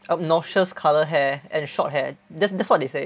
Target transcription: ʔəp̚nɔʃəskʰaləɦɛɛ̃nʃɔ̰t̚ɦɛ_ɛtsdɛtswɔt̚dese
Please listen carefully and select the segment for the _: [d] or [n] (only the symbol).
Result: d